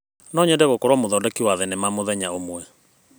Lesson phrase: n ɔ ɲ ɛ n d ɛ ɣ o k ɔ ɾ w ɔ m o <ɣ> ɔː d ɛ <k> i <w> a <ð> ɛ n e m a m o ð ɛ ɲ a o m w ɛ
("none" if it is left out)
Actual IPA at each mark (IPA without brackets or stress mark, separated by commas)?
ð, k, w, ð